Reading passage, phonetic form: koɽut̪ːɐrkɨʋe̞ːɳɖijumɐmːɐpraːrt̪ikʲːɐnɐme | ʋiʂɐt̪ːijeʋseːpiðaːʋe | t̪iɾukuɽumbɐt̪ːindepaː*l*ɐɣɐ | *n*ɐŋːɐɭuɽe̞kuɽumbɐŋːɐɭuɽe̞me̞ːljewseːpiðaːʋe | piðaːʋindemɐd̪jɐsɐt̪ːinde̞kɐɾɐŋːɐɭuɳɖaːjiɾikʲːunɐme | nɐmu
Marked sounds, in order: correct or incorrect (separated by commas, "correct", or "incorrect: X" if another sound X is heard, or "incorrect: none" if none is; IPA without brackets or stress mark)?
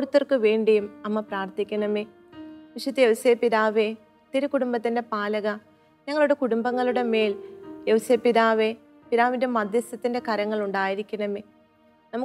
correct, incorrect: ɲ